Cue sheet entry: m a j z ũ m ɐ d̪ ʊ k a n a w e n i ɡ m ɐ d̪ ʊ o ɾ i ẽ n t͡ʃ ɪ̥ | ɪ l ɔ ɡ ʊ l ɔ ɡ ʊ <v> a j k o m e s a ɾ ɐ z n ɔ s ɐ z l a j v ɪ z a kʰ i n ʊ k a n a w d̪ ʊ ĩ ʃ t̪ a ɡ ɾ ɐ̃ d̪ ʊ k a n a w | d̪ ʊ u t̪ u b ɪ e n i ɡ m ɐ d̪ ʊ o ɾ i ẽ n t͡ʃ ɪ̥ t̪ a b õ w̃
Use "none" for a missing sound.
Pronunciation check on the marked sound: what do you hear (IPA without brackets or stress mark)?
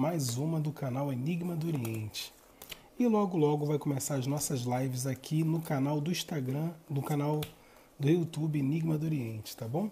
v